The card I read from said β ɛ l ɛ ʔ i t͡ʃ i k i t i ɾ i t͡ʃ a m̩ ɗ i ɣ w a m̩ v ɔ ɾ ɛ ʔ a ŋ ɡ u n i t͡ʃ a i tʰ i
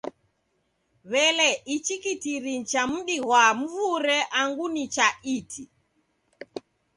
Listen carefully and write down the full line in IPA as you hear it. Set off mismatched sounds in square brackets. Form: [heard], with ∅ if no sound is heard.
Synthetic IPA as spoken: β ɛ l ɛ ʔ i t͡ʃ i k i t i ɾ i t͡ʃ a m̩ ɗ i ɣ w a m̩ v [u] ɾ ɛ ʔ a ŋ ɡ u n i t͡ʃ a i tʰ i